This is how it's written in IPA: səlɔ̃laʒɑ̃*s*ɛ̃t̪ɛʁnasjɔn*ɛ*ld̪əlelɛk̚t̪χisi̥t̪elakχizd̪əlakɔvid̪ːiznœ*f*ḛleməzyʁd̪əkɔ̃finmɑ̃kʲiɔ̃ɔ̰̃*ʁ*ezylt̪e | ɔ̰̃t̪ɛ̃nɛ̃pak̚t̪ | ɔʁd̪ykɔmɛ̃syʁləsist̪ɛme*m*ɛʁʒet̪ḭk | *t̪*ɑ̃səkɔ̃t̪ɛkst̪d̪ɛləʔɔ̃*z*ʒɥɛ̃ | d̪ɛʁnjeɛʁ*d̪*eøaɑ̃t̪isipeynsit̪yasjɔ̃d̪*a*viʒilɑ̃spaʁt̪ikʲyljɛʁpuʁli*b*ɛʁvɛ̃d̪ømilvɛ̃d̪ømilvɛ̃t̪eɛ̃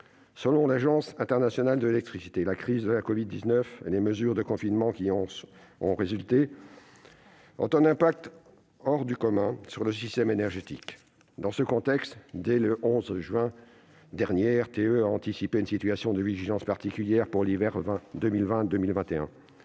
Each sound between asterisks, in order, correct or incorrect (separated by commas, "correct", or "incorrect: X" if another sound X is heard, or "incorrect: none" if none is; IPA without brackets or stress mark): correct, incorrect: a, correct, correct, incorrect: n, incorrect: d̪, correct, incorrect: t̪, incorrect: ə, incorrect: v